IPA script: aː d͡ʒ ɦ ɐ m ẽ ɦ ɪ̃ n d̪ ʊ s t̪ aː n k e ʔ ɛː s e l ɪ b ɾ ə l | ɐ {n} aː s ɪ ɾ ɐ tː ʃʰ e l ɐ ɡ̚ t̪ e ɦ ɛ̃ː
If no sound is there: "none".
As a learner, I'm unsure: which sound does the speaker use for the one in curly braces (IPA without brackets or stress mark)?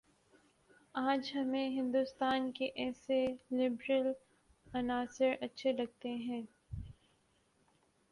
n